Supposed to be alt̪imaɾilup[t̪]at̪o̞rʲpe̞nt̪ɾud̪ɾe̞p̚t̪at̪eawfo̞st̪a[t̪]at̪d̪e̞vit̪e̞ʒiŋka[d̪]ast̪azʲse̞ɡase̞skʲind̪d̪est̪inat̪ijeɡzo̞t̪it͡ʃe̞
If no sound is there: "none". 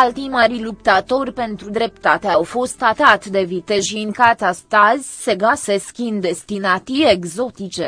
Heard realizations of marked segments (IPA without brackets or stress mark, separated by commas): t̪, t̪, t̪